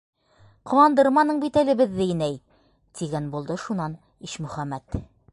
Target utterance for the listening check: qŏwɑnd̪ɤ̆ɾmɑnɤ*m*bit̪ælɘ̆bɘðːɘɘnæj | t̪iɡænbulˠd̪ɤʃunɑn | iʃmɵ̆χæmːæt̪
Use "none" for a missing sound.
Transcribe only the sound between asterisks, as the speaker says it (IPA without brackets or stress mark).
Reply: ɴ